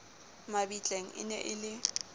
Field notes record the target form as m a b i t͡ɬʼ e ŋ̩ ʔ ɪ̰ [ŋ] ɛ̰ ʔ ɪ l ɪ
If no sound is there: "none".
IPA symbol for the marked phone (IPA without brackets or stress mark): n